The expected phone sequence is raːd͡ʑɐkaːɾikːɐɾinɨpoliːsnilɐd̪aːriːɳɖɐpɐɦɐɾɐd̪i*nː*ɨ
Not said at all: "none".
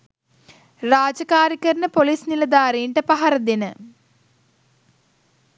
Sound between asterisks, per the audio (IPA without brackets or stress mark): n